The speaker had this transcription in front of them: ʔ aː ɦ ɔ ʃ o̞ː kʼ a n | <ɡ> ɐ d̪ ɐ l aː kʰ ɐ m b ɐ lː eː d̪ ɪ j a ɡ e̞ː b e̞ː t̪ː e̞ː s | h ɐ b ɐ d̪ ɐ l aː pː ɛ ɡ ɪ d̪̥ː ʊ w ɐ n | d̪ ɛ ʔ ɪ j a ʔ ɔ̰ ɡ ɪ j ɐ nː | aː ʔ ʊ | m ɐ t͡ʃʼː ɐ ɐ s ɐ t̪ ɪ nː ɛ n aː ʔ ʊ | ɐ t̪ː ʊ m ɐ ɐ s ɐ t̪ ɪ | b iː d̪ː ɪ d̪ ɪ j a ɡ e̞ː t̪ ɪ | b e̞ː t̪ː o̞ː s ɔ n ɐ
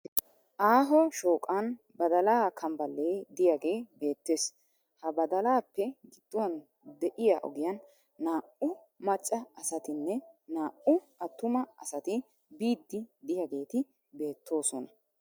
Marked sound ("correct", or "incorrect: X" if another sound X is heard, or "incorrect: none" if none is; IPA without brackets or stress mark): incorrect: b